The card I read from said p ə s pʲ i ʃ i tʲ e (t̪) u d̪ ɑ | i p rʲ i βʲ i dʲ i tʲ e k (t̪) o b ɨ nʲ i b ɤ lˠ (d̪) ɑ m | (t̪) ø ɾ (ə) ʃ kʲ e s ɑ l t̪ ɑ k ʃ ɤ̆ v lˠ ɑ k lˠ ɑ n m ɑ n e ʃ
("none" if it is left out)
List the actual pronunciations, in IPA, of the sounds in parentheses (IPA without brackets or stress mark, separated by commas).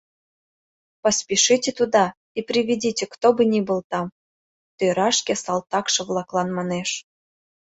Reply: t̪, t̪, t̪, t̪, ɑ